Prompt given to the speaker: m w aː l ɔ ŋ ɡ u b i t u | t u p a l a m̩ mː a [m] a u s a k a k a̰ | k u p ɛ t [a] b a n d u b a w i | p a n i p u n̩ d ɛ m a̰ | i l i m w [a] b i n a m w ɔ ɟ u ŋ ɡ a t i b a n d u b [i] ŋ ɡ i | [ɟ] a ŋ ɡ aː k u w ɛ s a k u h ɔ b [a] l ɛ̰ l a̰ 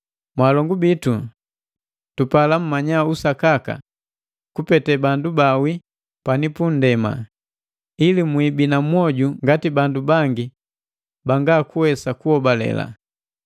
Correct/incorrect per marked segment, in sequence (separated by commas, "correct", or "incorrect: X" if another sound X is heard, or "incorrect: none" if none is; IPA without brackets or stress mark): incorrect: ɲ, incorrect: ɛ, incorrect: i, incorrect: a, incorrect: b, correct